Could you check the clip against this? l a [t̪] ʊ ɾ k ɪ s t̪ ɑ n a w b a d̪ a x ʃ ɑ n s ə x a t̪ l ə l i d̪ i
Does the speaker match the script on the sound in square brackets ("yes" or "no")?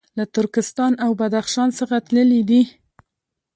yes